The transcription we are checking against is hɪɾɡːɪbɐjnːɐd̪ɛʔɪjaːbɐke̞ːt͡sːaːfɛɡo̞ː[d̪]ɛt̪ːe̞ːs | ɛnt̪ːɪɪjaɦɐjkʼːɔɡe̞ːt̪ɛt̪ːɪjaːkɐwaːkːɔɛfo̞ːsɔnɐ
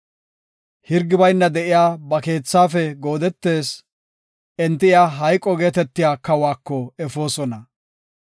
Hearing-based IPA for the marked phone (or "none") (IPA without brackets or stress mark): d̪